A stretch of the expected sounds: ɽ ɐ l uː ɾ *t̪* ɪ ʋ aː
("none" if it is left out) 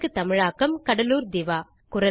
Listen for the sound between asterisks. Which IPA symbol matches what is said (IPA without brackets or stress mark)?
d̪